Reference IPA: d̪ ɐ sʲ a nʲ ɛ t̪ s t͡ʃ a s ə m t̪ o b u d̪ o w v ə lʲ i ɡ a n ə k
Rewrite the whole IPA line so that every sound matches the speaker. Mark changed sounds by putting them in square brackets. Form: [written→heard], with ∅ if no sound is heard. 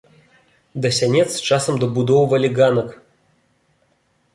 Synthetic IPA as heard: d̪ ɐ sʲ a nʲ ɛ t̪ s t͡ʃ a s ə m [t̪→d̪] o b u d̪ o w v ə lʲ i ɡ a n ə k